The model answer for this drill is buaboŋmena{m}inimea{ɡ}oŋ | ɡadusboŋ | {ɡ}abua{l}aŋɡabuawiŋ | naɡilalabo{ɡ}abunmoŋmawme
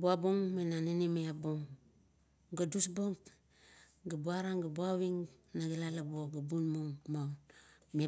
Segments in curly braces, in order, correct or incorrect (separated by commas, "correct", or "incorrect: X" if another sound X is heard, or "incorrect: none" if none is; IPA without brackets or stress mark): incorrect: n, incorrect: b, correct, incorrect: ɾ, correct